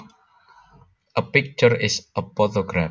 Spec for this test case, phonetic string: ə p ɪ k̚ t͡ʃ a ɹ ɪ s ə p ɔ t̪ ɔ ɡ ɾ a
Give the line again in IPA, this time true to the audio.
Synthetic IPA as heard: ə p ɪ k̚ t͡ʃ ə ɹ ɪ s ə p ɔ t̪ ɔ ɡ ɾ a